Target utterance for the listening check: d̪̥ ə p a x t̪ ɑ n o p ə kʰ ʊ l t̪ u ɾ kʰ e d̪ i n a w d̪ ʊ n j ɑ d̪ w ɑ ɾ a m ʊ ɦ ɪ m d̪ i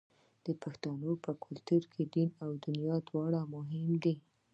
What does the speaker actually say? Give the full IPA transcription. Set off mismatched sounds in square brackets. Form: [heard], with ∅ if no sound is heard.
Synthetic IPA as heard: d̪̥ ə p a x t̪ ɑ n o p ə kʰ ʊ l t̪ u ɾ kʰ e d̪ i n a w d̪ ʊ n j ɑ d̪ w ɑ [ɽ] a m ʊ ɦ ɪ m d̪ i